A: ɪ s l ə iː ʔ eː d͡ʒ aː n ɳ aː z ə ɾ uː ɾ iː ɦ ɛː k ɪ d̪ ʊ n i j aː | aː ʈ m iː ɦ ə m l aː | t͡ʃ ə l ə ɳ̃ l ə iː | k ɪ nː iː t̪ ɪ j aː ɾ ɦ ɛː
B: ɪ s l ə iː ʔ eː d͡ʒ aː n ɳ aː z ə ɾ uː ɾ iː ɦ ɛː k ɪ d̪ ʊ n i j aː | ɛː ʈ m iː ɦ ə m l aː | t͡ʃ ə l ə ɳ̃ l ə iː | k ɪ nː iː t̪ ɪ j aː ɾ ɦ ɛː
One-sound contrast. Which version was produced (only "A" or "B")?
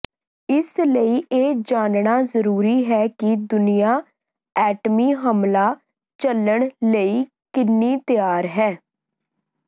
B